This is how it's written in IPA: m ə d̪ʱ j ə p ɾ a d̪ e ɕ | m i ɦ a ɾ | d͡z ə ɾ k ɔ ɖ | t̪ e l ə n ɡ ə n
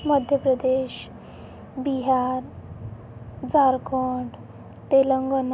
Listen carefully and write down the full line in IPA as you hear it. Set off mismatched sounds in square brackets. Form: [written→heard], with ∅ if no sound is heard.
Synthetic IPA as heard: m ə d̪ʱ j ə p ɾ [a→ə] d̪ e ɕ | [m→b] i ɦ a ɾ | d͡z [ə→a] ɾ k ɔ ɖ | t̪ e l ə [n→ŋ] ɡ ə n